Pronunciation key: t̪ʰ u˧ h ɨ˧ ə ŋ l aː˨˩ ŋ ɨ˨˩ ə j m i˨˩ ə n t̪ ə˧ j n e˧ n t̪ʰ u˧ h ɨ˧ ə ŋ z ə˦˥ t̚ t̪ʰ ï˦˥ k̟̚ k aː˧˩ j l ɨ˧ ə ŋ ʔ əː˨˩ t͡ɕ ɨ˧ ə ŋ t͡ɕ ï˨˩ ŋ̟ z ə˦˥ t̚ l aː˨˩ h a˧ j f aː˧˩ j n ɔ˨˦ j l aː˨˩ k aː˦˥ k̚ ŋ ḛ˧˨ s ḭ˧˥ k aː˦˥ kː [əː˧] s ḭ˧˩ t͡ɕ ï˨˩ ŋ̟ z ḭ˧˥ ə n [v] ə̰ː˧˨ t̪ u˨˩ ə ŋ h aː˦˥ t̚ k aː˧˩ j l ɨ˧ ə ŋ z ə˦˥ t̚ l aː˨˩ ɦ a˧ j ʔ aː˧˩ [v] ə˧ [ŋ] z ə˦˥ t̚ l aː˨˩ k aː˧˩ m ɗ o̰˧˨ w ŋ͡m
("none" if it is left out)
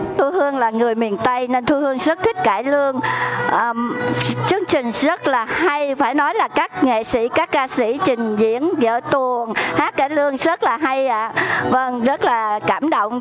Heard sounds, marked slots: aː˧, z, v, ŋ

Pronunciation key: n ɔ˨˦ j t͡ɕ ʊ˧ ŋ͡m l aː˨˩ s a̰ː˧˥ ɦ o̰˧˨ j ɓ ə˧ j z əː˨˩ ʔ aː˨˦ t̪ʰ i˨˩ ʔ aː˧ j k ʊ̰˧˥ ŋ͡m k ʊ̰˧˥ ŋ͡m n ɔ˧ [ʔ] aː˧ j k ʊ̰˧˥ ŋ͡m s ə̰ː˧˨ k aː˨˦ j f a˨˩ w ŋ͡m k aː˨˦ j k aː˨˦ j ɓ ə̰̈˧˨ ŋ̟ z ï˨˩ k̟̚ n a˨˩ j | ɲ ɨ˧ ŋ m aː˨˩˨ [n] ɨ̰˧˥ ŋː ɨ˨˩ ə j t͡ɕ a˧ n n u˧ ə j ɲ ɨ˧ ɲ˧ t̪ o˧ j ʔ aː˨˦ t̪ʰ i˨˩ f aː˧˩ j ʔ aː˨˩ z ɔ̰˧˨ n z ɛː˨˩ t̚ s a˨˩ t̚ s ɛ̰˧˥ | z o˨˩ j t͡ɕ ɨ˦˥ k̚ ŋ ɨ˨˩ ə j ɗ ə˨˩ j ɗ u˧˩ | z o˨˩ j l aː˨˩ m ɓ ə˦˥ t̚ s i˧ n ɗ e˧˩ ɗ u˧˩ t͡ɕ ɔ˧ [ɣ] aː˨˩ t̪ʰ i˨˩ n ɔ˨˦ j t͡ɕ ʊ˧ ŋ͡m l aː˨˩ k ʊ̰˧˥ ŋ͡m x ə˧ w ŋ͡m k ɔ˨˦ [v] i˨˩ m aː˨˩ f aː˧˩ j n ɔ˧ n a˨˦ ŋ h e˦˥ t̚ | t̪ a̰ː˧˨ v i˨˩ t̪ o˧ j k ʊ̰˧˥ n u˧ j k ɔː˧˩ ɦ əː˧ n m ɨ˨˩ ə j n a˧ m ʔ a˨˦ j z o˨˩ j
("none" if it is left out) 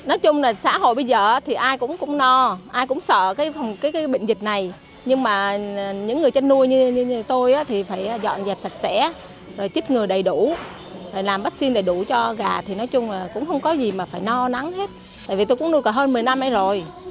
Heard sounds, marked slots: ʔ, ɲ, ɣ, z

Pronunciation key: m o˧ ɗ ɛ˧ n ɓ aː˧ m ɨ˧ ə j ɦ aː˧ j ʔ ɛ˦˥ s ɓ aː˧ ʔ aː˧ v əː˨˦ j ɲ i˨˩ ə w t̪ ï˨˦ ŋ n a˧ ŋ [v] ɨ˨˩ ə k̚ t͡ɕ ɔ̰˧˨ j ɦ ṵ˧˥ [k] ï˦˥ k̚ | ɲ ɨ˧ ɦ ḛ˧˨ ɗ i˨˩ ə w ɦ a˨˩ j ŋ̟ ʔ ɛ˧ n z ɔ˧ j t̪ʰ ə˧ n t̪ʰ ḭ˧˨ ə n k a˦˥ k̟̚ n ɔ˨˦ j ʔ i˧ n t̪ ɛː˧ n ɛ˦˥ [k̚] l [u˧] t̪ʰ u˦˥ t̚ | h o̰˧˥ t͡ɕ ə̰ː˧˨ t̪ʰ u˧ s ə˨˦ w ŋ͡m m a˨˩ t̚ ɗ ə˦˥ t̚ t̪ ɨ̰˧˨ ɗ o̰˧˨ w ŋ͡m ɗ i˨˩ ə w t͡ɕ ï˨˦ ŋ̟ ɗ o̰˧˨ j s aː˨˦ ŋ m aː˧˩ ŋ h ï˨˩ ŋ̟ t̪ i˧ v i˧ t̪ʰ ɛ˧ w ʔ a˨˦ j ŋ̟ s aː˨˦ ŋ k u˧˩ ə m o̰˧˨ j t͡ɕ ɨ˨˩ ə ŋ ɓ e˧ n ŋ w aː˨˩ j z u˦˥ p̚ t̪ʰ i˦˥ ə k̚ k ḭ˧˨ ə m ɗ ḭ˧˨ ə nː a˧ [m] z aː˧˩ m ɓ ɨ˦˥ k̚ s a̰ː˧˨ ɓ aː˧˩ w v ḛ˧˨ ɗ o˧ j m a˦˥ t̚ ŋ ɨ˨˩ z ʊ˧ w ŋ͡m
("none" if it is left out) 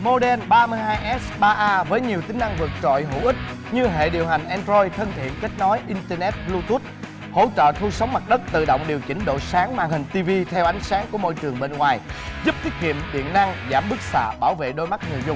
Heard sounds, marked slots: v, ʔ, t̚, u˧, ŋ

